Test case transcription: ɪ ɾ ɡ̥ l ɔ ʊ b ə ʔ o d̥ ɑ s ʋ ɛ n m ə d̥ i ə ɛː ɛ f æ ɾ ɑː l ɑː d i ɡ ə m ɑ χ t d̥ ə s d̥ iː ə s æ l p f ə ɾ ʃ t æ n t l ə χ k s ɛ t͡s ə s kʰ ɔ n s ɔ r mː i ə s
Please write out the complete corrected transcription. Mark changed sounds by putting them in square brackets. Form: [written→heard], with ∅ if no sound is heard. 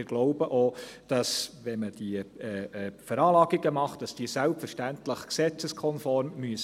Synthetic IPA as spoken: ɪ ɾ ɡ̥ l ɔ ʊ b ə ʔ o d̥ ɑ s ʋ ɛ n m ə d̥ i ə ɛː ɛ f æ ɾ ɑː l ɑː [d→ɡ] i ɡ ə m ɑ χ t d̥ [ə→ɑ] s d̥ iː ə s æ l p f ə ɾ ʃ t æ n t l ə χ k s ɛ t͡s ə s kʰ ɔ n [s→f] ɔ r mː [i→y] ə s